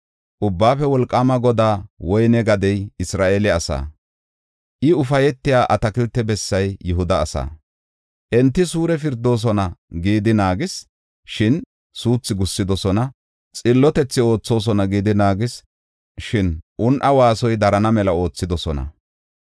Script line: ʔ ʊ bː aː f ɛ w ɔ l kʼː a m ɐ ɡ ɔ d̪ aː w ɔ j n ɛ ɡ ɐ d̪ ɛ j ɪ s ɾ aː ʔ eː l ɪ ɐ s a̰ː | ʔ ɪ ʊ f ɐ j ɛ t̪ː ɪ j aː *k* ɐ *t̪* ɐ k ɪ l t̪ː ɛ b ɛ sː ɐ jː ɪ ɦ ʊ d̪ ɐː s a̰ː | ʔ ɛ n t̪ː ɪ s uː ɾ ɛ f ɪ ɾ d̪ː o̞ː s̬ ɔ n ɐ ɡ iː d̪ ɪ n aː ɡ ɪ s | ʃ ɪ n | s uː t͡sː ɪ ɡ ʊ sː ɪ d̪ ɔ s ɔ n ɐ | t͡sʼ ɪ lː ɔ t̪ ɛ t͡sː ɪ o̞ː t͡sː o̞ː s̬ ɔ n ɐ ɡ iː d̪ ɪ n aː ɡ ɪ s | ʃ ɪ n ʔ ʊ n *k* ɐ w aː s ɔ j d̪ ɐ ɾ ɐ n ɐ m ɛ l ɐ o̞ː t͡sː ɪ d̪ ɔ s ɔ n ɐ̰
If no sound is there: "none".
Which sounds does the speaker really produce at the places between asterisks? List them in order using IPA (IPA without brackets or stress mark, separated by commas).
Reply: ʔ, t̪, ʔ